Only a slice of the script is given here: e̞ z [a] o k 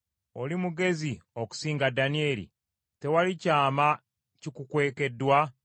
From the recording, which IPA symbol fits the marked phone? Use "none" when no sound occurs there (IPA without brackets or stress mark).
i